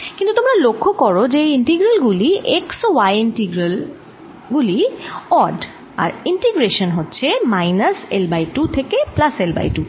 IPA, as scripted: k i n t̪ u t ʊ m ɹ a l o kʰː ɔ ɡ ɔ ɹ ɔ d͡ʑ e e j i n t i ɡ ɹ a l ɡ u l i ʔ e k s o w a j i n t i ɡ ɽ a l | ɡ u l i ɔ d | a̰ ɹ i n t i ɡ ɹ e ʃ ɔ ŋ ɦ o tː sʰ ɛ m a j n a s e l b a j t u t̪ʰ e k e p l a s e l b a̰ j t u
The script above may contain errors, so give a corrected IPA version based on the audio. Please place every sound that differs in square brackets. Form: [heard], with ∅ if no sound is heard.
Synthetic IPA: k i n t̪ u t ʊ m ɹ a l o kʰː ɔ [k] ɔ ɹ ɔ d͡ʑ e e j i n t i ɡ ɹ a l ɡ u l i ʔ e k s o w a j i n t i ɡ [ɹ] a l | ɡ u l i ɔ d | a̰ ɹ i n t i ɡ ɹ e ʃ ɔ [n] ɦ o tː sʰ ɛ m a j n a s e l b a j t u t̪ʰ e k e p l a s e l b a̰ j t u